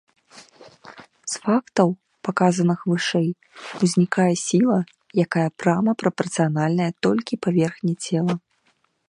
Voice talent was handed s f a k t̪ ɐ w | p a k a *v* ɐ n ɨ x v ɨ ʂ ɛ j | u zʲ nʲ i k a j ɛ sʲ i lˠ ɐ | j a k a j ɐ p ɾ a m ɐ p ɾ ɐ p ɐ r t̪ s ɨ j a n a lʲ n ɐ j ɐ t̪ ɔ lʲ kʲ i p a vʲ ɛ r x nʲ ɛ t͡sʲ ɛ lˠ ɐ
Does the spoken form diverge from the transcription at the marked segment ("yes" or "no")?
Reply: yes